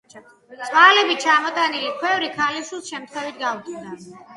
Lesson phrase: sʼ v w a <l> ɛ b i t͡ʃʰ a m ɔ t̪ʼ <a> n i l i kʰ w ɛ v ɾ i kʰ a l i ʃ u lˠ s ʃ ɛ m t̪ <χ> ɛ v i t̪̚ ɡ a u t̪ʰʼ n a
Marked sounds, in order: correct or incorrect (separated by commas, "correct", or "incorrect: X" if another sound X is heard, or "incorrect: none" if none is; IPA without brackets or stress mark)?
correct, correct, correct